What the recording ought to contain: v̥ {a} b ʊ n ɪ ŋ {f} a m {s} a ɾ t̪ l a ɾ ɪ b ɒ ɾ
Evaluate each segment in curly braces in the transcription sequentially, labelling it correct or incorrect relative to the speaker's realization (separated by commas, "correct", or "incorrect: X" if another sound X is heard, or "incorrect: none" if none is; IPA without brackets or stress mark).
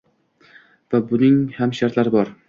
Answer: correct, incorrect: h, incorrect: ʃ